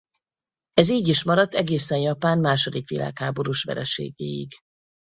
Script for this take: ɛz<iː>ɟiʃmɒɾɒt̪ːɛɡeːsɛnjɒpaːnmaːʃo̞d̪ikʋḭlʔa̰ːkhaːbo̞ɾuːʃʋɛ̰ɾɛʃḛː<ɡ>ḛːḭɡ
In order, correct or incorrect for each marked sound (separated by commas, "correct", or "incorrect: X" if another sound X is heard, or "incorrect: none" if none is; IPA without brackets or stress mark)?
correct, correct